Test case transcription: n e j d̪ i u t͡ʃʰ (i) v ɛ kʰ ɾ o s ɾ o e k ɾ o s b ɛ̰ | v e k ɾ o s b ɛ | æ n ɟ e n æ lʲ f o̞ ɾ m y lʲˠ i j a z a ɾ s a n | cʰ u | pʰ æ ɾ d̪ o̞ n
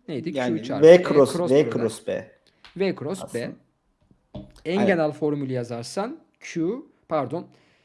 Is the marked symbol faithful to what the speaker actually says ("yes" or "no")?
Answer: no